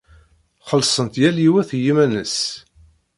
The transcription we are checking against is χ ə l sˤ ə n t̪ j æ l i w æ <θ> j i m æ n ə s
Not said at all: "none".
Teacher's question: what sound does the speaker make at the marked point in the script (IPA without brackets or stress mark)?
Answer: θ